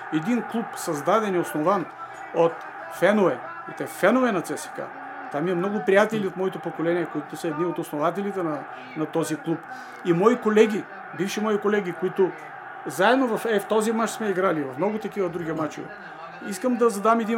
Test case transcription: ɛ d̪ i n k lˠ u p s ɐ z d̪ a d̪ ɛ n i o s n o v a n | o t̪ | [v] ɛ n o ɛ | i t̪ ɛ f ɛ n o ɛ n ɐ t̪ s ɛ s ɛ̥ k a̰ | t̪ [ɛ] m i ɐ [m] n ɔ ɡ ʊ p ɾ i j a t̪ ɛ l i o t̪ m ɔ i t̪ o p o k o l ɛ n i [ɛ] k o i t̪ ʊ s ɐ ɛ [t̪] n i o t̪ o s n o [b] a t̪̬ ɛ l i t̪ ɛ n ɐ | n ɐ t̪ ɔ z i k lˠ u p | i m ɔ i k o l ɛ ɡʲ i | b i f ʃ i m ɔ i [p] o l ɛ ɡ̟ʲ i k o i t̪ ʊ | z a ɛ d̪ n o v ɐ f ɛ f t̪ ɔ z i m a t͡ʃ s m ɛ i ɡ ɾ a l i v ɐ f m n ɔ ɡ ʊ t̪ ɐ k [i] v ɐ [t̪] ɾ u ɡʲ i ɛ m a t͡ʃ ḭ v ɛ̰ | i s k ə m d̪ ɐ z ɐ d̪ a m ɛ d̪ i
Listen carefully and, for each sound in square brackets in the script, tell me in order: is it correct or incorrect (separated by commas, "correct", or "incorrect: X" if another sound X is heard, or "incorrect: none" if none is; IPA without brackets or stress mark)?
incorrect: f, incorrect: a, correct, correct, incorrect: d̪, incorrect: v, incorrect: k, correct, incorrect: d̪